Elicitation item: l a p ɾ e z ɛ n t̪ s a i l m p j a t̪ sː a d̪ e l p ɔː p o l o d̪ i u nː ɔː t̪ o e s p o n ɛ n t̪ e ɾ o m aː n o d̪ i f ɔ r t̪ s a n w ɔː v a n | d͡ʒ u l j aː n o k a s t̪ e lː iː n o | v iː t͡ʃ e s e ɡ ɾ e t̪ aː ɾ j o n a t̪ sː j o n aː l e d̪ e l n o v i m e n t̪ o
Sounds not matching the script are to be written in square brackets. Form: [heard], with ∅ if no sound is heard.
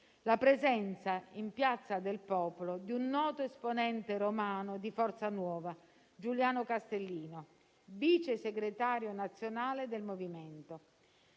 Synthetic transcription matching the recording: l a p ɾ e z ɛ n t̪ s a i [∅] m p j a t̪ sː a d̪ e l p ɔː p o l o d̪ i u nː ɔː t̪ o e s p o n ɛ n t̪ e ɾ o m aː n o d̪ i f ɔ r t̪ s a n w ɔː v a [∅] | d͡ʒ u l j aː n o k a s t̪ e lː iː n o | v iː t͡ʃ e s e ɡ ɾ e t̪ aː ɾ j o n a t̪ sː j o n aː l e d̪ e l [m] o v i m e n t̪ o